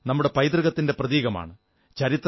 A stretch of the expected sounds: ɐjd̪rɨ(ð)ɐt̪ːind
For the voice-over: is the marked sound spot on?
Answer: no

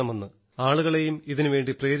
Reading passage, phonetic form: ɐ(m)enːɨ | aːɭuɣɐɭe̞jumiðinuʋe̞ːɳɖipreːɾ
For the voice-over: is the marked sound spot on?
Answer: yes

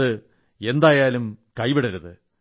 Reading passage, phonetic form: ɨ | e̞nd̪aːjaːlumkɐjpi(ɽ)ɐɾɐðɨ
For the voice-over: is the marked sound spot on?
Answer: yes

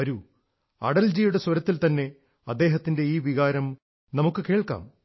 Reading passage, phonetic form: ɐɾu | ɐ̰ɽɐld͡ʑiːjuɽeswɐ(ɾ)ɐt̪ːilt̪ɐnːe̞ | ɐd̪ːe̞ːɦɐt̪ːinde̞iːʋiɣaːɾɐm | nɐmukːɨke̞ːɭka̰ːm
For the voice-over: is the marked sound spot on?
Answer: yes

